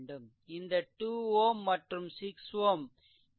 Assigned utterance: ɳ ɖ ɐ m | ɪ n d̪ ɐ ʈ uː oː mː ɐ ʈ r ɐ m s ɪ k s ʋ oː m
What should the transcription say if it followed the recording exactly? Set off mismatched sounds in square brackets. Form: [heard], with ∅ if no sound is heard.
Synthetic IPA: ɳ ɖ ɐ m | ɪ n d̪ ɐ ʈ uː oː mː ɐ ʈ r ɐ m s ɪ k s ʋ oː m